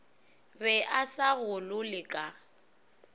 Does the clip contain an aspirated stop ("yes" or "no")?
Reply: no